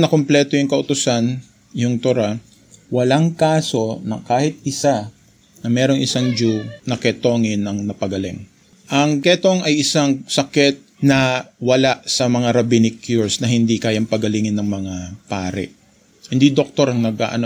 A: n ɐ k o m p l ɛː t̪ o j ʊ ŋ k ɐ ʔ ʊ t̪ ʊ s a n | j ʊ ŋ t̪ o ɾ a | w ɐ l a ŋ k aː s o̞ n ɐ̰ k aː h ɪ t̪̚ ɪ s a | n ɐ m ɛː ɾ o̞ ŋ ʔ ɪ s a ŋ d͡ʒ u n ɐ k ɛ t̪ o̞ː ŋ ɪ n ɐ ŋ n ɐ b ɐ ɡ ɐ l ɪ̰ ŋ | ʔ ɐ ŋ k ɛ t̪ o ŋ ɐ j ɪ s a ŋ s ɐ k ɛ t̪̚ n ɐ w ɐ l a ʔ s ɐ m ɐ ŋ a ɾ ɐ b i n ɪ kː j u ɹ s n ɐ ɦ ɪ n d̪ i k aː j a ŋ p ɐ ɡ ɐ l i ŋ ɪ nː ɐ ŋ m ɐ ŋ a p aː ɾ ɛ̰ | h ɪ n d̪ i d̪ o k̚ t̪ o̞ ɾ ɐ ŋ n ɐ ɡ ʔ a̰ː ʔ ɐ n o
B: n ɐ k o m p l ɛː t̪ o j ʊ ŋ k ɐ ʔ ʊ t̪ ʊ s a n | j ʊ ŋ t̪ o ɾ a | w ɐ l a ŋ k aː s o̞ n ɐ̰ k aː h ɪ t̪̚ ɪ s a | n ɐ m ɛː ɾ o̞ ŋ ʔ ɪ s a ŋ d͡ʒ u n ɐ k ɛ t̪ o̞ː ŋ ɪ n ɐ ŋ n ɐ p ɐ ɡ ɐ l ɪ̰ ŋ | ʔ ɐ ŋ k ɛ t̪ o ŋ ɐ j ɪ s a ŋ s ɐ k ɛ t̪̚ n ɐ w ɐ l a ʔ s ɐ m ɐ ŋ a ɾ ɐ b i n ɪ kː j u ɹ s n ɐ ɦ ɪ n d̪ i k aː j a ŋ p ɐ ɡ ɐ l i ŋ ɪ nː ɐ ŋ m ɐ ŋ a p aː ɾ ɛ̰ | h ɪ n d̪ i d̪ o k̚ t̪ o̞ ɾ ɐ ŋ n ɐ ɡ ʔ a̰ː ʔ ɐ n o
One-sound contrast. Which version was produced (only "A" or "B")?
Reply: B